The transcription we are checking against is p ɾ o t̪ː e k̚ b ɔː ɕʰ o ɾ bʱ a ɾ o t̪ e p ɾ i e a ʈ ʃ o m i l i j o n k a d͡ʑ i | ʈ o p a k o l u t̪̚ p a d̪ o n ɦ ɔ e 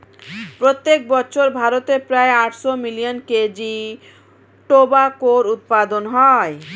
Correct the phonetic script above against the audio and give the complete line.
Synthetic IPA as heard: p ɾ o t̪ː e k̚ b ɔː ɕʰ o ɾ bʱ a ɾ o t̪ e p ɾ a e a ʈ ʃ o m i l i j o n k e d͡ʑ i | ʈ o b a k o ɾ u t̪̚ p a d̪ o n ɦ ɔ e